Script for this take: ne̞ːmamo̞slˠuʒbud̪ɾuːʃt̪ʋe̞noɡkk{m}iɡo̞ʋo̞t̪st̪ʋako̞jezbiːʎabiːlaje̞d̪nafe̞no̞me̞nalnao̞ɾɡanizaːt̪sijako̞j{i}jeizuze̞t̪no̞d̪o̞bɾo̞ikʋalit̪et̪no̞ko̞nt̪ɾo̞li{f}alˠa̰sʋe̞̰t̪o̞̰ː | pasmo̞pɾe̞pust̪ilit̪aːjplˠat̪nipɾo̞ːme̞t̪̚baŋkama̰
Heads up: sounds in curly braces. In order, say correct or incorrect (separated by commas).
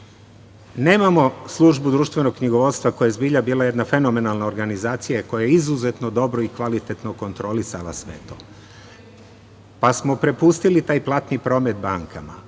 incorrect, incorrect, incorrect